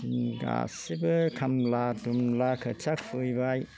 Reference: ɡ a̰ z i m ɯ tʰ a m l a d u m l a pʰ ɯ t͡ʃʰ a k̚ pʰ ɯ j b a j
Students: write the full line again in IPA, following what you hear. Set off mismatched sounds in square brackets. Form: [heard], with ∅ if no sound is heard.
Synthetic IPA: ɡ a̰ [s] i [b] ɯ [kʰ] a m l a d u m l a [kʰ] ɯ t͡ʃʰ a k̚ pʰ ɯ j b a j

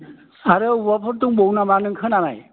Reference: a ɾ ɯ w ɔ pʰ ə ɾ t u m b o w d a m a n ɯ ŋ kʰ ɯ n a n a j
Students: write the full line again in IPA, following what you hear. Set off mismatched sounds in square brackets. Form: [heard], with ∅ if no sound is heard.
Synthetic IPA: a ɾ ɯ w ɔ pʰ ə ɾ t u [ŋ] b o w [n] a m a n ɯ ŋ kʰ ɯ n a n a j

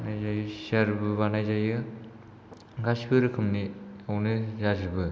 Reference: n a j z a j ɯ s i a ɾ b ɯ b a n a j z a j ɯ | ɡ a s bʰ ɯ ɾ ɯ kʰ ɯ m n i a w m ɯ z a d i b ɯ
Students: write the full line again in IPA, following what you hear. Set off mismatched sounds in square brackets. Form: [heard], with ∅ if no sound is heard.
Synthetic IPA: n a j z a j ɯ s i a ɾ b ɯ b a n a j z a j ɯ | ɡ a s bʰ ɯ ɾ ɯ kʰ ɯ m n i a w [n] ɯ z a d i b ɯ

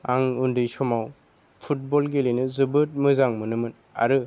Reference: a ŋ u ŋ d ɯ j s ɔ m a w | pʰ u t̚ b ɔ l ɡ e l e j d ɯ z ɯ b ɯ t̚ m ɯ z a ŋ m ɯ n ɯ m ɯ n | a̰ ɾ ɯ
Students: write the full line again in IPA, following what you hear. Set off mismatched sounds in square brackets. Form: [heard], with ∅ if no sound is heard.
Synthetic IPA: a ŋ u [n] d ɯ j s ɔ m a w | pʰ u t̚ b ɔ l ɡ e l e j [n] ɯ z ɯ b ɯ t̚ m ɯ z a ŋ m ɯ n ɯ m ɯ n | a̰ ɾ ɯ

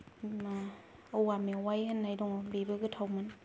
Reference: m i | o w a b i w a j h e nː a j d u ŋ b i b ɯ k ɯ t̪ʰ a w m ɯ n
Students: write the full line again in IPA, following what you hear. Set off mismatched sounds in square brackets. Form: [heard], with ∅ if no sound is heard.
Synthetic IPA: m [a] | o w a [m] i w a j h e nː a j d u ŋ b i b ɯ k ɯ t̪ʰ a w m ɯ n

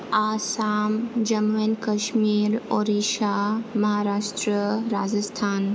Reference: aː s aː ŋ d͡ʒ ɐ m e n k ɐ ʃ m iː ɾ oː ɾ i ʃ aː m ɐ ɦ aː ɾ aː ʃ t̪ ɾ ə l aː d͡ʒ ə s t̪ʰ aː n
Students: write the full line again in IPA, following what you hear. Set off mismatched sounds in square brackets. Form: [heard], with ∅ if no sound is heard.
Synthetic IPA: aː s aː [m] d͡ʒ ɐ m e n k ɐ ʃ m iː ɾ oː ɾ i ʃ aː m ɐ ɦ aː ɾ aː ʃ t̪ ɾ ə [ɾ] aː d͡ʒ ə s t̪ʰ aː n

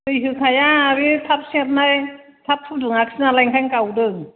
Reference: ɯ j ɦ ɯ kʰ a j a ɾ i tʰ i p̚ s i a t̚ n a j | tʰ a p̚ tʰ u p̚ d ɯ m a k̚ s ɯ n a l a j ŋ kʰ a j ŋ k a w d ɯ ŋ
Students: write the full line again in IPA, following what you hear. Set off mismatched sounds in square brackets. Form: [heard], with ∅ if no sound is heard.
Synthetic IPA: ɯ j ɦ ɯ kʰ a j a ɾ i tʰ [a] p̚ s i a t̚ n a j | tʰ a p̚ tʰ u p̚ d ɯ [ŋ] a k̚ s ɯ n a l a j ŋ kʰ a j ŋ k a w d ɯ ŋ

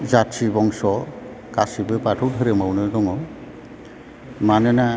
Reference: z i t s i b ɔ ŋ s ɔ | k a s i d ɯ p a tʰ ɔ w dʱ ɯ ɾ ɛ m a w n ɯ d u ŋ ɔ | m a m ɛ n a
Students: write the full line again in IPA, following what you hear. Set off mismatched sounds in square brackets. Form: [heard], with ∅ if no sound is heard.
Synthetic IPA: z [a] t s i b ɔ ŋ s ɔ | k a s i [b] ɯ p a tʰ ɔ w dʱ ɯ ɾ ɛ m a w n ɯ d [ɔ] ŋ ɔ | m a [n] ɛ n a

